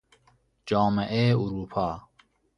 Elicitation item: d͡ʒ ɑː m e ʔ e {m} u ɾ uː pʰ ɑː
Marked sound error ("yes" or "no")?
yes